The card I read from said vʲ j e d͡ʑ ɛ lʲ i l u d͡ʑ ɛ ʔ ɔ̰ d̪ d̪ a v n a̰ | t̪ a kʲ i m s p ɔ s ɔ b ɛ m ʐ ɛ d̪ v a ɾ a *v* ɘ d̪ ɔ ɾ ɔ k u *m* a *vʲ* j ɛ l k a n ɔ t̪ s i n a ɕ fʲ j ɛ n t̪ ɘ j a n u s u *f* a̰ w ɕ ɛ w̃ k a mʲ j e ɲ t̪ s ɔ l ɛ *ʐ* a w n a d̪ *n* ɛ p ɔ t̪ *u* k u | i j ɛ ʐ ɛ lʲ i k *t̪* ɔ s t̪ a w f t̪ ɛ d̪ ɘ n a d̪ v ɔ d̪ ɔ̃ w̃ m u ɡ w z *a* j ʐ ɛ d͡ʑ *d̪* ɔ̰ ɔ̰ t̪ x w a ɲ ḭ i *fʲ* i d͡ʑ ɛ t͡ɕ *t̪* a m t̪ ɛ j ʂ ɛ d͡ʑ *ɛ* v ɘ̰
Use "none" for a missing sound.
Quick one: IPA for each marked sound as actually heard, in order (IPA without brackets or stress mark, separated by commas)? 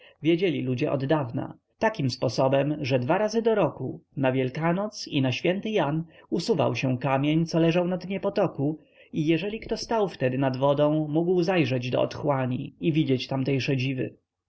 z, n, vʲ, v, ʐ, ɲ, ɔ, t̪, a, d̪, vʲ, t̪, i